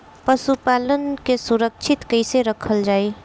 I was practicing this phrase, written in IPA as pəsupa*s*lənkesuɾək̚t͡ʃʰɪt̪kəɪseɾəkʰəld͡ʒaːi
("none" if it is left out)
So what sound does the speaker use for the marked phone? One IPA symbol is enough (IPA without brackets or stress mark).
none